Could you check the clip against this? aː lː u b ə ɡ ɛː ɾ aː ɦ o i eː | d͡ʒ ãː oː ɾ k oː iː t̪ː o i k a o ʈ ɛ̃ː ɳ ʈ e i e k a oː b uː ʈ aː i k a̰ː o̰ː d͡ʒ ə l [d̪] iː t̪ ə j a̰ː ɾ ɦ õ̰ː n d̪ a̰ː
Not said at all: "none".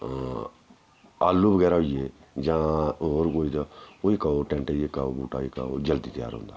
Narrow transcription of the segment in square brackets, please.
d̪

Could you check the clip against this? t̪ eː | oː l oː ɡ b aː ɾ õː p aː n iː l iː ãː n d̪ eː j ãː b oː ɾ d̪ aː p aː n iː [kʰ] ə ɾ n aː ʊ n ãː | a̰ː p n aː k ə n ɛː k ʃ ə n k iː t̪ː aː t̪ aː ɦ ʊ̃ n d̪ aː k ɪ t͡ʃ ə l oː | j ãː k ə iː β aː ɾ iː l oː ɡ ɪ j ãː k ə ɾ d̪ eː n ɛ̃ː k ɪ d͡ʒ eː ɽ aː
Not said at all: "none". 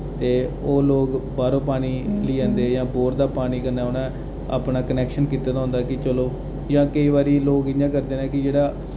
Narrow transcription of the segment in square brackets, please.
k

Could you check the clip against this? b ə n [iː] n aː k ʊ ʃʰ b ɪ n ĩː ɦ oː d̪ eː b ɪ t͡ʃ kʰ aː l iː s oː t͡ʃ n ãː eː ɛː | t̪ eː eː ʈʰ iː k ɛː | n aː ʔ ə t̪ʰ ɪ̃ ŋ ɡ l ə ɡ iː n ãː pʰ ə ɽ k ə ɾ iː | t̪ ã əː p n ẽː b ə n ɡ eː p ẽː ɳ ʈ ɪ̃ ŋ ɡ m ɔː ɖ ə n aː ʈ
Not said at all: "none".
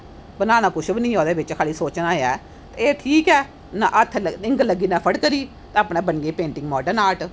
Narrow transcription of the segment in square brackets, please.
aː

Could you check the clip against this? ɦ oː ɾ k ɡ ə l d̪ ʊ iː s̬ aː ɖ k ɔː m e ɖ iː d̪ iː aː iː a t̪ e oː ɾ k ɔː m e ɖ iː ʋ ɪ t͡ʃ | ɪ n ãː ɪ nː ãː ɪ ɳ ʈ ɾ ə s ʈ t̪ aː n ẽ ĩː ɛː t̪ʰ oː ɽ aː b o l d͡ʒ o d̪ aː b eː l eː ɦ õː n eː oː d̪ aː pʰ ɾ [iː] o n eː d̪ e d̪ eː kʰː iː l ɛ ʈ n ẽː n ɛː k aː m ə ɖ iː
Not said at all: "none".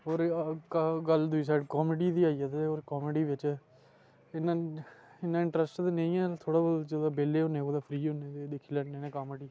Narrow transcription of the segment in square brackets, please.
iː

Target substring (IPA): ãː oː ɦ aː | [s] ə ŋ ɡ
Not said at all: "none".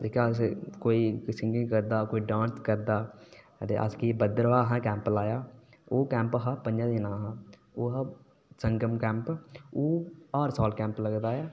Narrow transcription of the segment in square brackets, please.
s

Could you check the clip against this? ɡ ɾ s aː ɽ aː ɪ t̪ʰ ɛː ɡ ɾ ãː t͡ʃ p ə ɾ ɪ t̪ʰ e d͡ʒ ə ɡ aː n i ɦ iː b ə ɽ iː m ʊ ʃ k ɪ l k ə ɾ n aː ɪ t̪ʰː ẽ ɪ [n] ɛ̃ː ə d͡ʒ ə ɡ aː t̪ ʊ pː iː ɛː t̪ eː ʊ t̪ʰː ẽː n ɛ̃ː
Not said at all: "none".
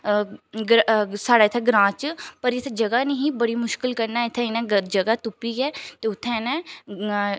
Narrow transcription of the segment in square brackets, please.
n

